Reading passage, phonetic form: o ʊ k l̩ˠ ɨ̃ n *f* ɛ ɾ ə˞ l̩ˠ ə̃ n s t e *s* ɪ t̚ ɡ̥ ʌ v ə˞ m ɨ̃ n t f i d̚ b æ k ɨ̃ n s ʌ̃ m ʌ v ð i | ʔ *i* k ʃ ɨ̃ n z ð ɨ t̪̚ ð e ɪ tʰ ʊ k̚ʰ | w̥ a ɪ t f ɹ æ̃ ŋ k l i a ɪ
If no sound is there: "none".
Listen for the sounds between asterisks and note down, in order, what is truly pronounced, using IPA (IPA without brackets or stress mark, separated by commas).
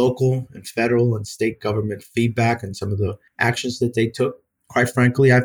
f, none, æ